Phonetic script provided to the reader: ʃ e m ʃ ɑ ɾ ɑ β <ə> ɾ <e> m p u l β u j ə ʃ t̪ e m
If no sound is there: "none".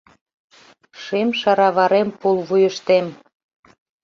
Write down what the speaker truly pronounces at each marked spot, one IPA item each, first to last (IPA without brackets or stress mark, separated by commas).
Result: ɑ, e